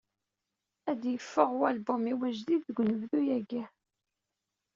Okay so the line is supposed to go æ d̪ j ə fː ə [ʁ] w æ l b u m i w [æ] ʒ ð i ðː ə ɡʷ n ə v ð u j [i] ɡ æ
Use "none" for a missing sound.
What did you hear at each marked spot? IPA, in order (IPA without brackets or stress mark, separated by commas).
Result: ʁ, æ, æ